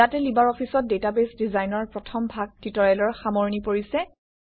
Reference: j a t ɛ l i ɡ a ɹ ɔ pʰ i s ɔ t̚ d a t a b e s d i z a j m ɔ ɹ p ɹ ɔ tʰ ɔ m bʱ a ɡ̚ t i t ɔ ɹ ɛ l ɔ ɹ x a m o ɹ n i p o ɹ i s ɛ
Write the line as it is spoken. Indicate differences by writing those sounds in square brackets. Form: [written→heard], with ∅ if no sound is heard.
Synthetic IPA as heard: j a t ɛ l i [ɡ→b] a ɹ ɔ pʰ i s ɔ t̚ d [a→e] t a b e s d i z a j [m→n] ɔ ɹ p ɹ ɔ tʰ ɔ m bʱ a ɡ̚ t i t ɔ ɹ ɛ l ɔ ɹ x a m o ɹ n i p o ɹ i s ɛ